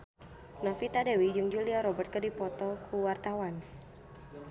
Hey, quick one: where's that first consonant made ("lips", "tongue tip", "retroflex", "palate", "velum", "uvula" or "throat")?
tongue tip